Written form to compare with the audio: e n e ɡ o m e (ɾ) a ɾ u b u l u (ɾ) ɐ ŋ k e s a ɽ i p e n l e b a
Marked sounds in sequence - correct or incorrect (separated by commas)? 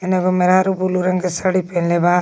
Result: correct, correct